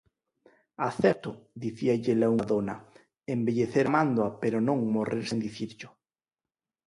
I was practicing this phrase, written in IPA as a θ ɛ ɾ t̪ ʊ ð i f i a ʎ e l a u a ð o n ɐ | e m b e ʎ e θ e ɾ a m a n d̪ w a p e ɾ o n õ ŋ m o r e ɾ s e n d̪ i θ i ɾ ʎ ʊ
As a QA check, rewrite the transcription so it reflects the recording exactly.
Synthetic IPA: a θ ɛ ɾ t̪ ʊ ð i θ i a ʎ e l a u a ð o n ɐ | e m b e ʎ e θ e ɾ a m a n d̪ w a p e ɾ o n õ ŋ m o r e ɾ s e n d̪ i θ i ɾ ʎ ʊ